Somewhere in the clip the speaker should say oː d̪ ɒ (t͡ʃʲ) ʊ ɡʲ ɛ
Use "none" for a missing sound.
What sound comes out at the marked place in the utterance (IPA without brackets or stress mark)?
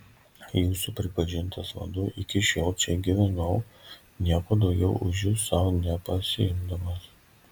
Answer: none